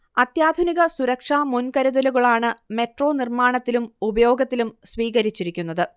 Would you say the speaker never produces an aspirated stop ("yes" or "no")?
yes